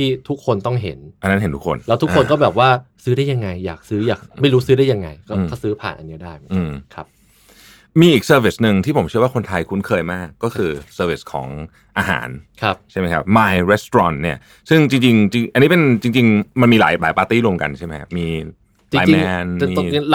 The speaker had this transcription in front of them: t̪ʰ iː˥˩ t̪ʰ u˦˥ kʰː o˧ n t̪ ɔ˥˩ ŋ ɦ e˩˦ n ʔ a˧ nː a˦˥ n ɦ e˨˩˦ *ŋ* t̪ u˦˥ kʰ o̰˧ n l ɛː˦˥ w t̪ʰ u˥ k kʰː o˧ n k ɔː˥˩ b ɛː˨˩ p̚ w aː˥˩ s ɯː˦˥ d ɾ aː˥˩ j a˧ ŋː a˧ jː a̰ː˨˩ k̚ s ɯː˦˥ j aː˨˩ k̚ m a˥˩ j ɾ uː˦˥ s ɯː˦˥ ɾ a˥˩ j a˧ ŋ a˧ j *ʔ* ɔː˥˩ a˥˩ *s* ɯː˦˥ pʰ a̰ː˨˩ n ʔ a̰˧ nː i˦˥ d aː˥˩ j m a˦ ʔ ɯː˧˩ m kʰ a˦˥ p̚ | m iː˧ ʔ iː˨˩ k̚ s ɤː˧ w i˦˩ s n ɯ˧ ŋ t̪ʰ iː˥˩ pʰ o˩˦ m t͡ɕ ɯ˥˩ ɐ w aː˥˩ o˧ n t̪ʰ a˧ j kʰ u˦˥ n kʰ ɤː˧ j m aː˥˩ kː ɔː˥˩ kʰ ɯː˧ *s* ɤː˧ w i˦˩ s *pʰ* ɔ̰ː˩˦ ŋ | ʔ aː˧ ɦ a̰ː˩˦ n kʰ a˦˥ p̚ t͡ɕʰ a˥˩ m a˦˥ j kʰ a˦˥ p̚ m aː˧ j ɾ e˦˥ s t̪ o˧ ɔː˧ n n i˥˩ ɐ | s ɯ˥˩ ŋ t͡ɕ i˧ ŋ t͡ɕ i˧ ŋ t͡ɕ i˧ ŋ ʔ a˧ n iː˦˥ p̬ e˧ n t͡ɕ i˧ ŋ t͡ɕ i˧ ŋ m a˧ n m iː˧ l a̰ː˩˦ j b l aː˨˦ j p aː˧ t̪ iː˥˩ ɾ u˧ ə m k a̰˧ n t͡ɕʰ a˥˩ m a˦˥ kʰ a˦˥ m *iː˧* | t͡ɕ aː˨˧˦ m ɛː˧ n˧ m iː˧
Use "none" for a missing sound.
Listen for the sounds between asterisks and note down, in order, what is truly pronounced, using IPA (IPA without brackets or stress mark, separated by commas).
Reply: n, k, s, s, kʰ, iː˧